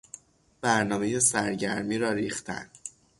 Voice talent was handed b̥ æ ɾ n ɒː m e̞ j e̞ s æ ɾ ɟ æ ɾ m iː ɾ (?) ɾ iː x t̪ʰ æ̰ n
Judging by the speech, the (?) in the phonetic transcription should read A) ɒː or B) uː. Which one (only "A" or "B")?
A